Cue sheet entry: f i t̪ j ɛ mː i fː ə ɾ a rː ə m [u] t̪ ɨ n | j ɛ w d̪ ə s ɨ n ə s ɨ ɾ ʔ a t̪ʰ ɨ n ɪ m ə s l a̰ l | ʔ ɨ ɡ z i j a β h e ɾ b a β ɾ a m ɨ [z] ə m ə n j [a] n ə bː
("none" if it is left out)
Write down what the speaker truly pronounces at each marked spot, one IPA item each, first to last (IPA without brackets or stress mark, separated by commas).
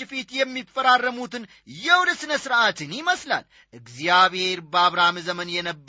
u, z, ɛ